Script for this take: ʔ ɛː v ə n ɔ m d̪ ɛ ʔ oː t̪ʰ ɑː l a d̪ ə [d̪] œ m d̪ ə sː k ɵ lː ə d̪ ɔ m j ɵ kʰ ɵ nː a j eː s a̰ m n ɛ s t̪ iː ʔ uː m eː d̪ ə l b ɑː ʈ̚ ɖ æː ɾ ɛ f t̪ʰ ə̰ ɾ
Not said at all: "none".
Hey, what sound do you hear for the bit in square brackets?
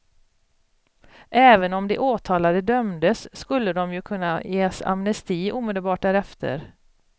d̪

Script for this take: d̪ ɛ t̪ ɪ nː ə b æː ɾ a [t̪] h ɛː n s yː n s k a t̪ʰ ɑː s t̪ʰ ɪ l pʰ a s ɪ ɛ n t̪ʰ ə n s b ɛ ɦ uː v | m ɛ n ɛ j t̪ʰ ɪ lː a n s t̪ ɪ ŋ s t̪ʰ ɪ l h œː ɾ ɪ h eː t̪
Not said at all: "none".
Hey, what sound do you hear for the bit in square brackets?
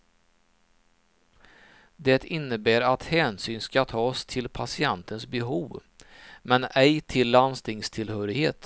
t̪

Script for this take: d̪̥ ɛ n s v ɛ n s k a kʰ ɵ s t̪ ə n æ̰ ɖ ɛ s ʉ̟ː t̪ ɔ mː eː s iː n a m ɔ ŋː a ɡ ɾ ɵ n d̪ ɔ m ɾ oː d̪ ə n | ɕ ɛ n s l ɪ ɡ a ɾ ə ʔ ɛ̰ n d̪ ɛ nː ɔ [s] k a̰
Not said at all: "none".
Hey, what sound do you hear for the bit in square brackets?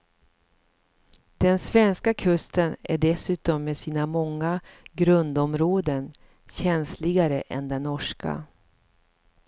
ʂ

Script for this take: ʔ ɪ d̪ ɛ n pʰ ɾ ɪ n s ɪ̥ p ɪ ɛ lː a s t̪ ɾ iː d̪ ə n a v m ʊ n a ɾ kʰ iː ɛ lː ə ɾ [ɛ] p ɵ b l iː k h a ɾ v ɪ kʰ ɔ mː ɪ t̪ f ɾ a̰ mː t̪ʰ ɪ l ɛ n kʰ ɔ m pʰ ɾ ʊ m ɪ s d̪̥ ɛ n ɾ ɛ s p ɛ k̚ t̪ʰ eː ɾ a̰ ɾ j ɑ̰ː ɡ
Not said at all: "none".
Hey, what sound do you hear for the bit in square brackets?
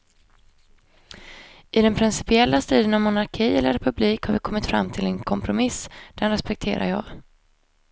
ɛ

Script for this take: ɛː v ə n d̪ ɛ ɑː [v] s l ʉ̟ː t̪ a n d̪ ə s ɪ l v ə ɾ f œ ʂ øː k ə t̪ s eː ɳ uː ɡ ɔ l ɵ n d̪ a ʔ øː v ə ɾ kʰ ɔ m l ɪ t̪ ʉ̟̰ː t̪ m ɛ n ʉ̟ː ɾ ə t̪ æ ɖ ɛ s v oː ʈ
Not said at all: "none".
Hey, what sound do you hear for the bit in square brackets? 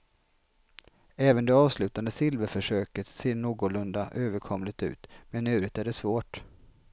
v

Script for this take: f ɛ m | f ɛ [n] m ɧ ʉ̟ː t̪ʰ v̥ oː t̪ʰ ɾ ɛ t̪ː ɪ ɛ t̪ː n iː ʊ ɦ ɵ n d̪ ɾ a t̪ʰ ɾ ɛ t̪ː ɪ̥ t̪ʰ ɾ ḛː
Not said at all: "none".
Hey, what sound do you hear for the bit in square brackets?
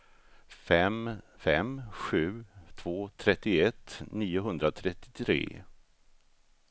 none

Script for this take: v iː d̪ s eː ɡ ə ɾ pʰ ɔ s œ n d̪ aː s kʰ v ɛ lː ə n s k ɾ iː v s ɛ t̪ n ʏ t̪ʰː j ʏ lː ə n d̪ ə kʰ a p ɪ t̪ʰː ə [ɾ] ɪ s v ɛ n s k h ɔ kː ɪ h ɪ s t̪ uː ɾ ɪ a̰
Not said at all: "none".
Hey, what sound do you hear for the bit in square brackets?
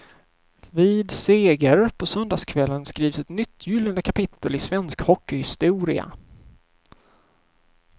l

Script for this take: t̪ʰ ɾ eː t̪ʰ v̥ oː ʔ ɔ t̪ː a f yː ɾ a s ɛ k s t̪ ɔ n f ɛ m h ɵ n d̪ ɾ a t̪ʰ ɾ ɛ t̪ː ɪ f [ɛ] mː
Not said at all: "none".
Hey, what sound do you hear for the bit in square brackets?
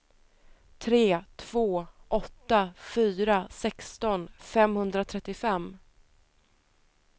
ɛ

